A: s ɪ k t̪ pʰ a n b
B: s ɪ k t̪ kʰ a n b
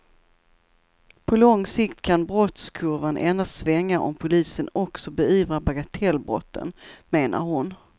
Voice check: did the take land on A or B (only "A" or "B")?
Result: B